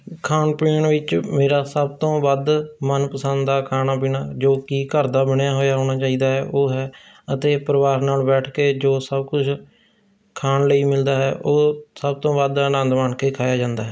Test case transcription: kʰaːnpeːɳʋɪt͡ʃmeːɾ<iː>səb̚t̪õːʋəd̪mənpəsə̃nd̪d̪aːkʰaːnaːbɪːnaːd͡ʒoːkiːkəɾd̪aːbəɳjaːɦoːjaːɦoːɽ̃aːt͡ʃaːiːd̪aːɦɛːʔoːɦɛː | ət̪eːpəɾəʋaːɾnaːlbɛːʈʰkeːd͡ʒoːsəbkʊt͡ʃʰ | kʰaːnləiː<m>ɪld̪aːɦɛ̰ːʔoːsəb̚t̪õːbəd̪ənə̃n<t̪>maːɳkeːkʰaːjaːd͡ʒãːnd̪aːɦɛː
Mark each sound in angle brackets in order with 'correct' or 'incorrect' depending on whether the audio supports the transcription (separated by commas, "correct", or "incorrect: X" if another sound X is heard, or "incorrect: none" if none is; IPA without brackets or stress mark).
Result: incorrect: aː, correct, incorrect: d̪